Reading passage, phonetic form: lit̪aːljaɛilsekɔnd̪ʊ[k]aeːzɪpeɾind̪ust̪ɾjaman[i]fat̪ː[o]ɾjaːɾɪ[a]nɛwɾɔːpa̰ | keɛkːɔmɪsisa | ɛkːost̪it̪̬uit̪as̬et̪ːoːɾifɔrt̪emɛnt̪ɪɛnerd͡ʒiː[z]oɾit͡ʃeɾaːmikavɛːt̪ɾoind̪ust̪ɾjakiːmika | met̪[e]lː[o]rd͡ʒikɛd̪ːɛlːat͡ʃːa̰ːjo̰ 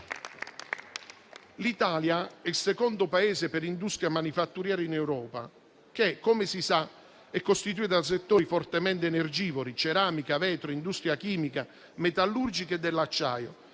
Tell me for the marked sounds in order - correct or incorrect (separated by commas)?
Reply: incorrect, correct, incorrect, incorrect, incorrect, incorrect, incorrect